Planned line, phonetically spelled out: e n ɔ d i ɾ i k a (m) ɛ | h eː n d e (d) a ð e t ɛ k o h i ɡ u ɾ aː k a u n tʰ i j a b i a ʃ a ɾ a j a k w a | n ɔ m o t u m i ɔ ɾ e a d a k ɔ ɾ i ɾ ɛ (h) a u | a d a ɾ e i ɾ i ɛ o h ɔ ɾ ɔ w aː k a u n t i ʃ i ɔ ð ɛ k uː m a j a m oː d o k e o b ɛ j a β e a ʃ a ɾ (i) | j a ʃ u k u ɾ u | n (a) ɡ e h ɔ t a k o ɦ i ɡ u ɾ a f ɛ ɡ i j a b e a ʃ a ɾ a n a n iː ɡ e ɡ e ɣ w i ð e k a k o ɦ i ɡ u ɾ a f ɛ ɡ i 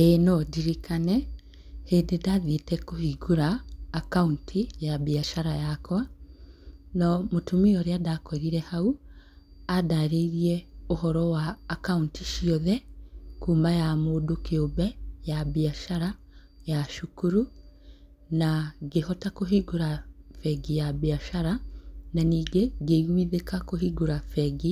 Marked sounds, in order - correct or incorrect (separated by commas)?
incorrect, correct, correct, incorrect, correct